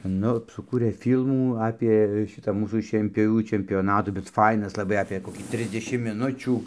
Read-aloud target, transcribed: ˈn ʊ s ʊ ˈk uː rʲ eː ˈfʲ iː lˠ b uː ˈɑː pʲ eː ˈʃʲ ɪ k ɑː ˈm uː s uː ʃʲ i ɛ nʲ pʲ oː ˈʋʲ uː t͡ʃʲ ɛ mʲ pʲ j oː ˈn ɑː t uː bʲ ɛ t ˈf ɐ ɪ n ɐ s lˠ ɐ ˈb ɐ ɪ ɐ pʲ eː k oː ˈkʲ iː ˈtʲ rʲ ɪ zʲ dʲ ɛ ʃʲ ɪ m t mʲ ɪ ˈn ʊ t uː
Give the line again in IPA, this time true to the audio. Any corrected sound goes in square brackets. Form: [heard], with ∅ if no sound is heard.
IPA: ˈn ʊ s ʊ ˈk uː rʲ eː ˈfʲ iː lˠ [m] uː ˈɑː pʲ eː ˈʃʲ ɪ [t] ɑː ˈm uː s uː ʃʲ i ɛ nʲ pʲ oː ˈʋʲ uː t͡ʃʲ ɛ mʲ pʲ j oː ˈn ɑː t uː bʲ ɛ t ˈf ɐ ɪ n ɐ s lˠ ɐ ˈb ɐ ɪ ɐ pʲ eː k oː ˈkʲ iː ˈtʲ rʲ ɪ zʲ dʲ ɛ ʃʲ ɪ m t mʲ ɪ ˈn ʊ [t͡ʃʲ] uː